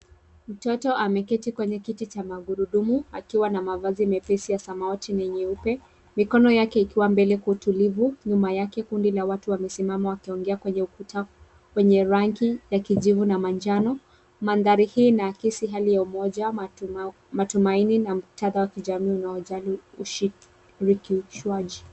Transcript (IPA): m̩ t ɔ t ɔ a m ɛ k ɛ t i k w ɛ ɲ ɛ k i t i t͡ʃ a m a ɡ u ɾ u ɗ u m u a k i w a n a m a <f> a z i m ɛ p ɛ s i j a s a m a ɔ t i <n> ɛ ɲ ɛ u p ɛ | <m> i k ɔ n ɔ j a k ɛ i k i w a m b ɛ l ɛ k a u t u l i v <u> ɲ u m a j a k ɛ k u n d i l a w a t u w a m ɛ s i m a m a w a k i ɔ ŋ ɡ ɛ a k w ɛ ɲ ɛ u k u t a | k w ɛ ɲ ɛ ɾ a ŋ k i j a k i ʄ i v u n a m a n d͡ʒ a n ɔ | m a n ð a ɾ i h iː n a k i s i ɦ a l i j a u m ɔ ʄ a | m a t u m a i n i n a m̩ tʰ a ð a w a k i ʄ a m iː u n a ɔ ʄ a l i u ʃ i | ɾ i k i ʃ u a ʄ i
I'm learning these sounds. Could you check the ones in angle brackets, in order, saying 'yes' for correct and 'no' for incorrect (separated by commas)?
no, yes, yes, yes